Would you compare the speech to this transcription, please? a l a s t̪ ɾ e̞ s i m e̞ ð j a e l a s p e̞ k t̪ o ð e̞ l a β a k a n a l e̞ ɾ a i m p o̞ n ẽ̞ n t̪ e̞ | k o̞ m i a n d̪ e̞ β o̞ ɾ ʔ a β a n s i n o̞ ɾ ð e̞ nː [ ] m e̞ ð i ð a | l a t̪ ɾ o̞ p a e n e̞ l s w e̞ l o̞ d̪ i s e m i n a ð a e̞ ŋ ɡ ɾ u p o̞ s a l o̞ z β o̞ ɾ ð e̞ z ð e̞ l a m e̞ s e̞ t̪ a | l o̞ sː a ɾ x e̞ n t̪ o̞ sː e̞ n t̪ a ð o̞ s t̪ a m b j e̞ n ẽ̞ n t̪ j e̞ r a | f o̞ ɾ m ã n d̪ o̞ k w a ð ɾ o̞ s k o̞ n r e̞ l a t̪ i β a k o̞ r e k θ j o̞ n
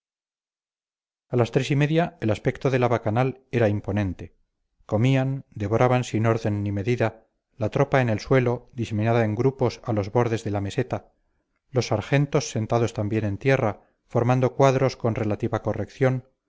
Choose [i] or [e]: i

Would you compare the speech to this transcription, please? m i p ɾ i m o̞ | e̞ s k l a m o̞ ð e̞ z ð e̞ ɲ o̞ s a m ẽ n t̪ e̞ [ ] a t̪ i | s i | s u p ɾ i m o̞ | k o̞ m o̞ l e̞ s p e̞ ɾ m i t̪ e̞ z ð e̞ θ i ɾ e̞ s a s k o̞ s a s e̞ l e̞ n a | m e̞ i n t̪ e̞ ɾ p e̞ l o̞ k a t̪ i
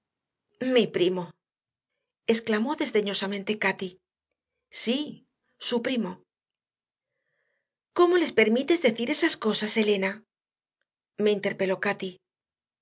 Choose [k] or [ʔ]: k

